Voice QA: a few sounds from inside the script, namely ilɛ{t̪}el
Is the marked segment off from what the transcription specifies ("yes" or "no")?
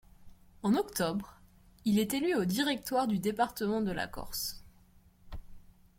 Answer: no